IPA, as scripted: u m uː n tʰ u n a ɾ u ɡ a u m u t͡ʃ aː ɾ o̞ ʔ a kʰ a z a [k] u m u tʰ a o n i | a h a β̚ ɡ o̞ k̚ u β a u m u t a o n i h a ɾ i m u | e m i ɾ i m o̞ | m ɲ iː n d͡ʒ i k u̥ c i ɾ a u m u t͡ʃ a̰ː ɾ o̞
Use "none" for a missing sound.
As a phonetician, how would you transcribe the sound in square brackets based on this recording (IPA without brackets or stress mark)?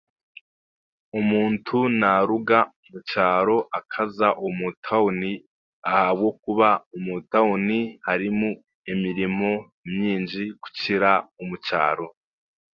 ʔ